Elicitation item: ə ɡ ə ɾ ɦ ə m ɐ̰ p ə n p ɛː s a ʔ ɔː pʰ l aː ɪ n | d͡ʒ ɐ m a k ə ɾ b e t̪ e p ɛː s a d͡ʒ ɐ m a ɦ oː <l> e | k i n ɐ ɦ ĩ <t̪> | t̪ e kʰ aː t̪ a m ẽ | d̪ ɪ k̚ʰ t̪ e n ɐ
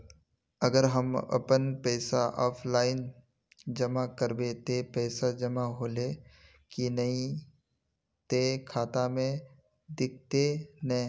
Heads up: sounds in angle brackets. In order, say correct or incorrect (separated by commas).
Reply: correct, incorrect